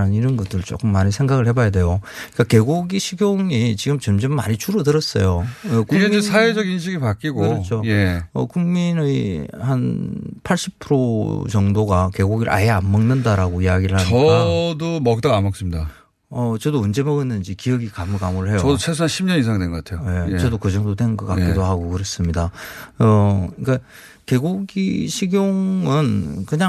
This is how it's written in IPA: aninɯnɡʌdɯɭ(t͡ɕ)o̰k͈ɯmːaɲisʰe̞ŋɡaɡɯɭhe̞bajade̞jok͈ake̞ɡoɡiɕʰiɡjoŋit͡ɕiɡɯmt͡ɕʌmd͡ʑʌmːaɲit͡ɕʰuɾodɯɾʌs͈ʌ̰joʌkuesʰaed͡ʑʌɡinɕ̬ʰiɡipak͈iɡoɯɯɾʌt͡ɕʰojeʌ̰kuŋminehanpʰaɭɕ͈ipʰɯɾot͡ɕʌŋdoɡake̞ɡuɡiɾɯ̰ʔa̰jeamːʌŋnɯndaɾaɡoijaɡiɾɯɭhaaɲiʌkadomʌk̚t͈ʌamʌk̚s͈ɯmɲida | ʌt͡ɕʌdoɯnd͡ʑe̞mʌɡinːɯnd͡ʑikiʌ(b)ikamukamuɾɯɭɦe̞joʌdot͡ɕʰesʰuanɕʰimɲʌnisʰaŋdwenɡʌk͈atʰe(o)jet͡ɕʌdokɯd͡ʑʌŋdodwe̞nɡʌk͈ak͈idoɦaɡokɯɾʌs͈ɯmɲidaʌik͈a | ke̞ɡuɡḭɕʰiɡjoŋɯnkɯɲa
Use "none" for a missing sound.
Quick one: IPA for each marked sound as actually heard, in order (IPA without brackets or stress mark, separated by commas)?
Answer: t͡ɕ, ɡ, o